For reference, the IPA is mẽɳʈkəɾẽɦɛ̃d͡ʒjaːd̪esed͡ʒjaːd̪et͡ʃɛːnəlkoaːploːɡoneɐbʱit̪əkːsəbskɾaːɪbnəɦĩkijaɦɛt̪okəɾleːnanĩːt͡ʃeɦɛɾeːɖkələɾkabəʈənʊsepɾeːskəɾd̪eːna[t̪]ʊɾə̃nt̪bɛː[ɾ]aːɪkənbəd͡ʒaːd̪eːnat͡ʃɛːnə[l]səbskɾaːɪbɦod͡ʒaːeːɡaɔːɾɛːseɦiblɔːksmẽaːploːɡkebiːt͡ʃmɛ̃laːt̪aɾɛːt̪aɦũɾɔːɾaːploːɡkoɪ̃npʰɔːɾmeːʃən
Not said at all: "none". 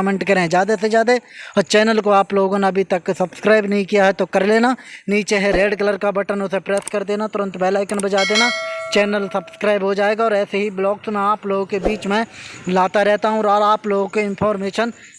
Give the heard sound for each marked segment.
t̪, l, l

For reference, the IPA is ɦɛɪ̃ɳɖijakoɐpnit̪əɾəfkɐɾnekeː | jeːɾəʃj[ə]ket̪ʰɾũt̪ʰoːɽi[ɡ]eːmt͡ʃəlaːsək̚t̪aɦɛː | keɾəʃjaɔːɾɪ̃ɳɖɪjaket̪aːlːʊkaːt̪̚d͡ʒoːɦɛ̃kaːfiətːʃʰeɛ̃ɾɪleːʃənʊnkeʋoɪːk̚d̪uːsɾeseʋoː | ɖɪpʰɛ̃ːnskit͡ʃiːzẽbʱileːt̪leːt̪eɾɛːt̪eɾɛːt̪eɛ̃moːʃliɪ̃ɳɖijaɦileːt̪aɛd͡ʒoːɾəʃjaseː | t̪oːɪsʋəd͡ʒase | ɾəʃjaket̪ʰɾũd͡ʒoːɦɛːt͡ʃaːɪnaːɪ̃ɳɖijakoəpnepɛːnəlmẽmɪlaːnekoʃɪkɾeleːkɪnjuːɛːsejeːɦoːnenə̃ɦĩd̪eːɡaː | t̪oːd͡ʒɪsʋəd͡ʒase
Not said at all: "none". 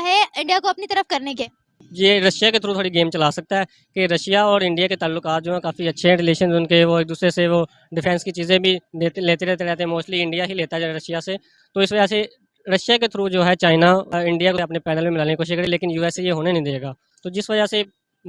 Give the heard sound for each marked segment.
a, ɡ

